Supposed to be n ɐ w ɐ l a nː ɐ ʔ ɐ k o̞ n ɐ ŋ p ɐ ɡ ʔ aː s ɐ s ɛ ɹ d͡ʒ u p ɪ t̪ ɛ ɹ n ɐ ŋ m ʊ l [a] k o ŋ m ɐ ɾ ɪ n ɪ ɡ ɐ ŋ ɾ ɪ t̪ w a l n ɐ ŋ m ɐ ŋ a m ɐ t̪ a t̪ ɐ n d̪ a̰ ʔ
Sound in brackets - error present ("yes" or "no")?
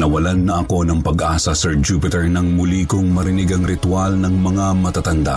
yes